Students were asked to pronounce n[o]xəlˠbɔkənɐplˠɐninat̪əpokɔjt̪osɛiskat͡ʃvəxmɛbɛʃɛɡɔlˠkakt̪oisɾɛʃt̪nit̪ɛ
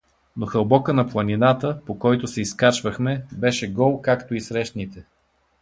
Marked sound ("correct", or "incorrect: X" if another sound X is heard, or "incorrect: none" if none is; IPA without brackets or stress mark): correct